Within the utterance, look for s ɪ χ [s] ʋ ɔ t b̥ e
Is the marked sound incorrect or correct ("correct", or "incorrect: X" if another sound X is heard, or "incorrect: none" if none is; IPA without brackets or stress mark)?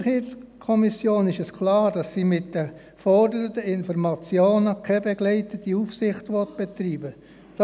incorrect: t